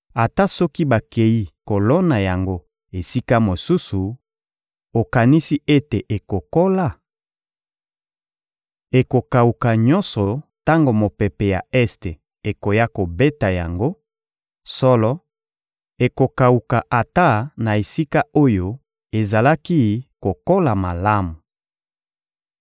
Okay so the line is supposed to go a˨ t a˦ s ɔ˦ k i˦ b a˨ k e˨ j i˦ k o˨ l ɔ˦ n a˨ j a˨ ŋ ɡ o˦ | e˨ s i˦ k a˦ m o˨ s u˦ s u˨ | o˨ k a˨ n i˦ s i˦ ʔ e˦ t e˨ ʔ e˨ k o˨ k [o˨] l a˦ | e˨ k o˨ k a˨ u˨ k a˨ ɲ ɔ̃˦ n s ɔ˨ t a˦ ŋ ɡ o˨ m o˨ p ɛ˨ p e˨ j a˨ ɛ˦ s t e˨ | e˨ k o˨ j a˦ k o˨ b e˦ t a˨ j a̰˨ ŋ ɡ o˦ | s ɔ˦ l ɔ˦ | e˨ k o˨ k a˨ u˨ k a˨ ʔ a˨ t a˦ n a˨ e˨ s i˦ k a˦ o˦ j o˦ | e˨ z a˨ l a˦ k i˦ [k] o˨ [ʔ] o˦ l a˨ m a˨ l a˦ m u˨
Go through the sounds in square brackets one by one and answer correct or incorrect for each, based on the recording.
incorrect, correct, incorrect

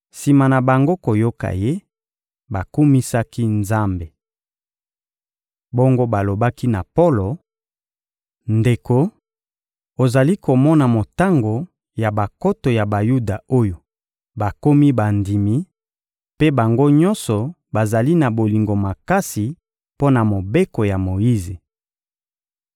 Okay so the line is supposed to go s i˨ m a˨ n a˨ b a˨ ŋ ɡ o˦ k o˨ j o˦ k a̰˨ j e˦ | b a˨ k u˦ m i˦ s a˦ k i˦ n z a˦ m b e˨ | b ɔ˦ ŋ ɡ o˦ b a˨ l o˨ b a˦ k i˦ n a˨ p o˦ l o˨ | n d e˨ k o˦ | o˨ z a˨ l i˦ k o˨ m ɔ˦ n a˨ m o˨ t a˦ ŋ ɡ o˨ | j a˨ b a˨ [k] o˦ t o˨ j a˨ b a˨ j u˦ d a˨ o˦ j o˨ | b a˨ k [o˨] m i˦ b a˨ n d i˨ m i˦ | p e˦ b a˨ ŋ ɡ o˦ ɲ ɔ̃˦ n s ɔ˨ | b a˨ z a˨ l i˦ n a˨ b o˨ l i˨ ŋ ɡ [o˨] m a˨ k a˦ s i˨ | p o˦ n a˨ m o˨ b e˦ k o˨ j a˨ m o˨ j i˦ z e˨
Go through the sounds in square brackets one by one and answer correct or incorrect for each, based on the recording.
correct, incorrect, correct

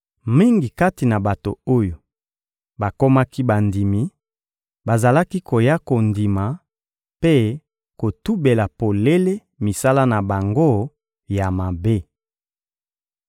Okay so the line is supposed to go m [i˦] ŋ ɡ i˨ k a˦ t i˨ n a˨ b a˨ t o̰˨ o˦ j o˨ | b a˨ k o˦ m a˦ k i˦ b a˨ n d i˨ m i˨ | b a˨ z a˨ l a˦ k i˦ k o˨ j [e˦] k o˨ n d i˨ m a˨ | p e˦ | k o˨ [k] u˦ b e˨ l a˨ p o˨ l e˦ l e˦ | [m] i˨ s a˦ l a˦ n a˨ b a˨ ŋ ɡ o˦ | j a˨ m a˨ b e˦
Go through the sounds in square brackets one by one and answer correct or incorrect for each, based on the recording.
correct, incorrect, incorrect, correct

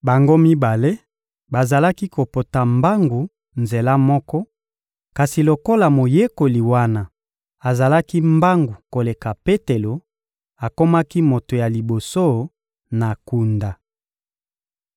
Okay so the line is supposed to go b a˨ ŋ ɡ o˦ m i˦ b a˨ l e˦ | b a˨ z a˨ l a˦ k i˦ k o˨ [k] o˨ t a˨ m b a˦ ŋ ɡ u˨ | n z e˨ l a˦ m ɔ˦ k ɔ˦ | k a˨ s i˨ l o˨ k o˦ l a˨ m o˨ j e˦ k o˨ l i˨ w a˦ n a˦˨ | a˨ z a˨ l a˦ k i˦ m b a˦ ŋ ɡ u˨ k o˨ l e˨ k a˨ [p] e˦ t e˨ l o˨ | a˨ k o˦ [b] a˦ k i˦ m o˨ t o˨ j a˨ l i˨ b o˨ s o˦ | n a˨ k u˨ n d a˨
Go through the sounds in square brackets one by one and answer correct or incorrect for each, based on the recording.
incorrect, correct, incorrect

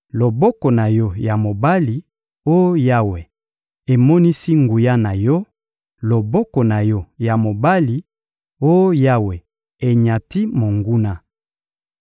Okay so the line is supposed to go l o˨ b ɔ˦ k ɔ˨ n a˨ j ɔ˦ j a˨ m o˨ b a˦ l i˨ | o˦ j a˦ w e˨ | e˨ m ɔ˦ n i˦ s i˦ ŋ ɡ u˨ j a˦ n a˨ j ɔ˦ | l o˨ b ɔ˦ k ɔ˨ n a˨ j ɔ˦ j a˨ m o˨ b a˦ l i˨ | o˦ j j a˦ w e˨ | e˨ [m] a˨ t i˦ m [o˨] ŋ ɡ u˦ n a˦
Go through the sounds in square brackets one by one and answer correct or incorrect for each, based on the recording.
incorrect, correct

